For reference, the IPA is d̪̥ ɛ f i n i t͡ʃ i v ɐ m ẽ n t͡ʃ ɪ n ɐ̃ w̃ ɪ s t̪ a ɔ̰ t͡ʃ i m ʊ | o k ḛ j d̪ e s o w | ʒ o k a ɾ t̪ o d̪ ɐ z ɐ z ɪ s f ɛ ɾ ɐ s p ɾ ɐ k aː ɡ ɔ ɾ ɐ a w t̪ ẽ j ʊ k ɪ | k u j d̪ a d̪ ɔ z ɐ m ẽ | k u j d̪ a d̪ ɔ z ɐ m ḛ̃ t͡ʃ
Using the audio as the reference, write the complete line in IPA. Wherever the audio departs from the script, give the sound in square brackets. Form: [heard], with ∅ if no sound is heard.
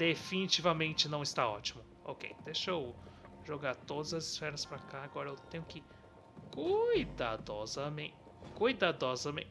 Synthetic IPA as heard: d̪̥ [e] f i n i t͡ʃ i v ɐ m ẽ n t͡ʃ ɪ n ɐ̃ w̃ ɪ s t̪ a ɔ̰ t͡ʃ i m ʊ | o k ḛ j d̪ e [ʃ] o w | ʒ o [ɡ] a ɾ t̪ o d̪ ɐ z ɐ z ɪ s f ɛ ɾ ɐ s p ɾ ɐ k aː ɡ ɔ ɾ ɐ [e] w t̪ ẽ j ʊ k ɪ | k u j d̪ a d̪ ɔ z ɐ m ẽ | k u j d̪ a d̪ ɔ z ɐ m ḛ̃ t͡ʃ